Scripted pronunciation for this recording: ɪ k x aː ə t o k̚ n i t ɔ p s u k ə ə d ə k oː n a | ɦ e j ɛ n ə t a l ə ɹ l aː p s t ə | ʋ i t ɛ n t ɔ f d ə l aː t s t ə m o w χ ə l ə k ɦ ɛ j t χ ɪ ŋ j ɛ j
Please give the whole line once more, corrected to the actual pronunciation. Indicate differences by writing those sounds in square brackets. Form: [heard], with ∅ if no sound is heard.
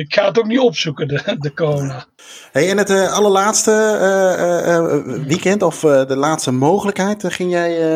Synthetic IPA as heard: ɪ k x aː ə t o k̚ n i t ɔ p s u k ə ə d ə k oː n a | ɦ e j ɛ n ə t [ɑ] l ə ɹ l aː [t] s t ə | ʋ i [k] ɛ n t ɔ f d ə l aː t s t ə m o w χ ə l ə k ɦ ɛ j t χ ɪ ŋ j ɛ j